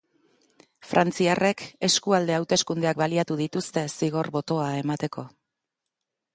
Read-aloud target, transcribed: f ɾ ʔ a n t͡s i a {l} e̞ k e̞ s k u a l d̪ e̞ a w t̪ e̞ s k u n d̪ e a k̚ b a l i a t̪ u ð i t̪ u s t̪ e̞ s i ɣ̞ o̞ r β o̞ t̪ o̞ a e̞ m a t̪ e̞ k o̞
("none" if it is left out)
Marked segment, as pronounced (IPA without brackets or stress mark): r